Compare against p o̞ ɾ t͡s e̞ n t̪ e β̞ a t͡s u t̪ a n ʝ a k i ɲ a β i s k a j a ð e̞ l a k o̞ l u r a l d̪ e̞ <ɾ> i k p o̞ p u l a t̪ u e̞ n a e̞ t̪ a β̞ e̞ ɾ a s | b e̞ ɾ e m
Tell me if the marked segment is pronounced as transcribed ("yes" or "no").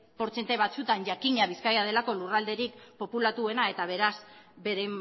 yes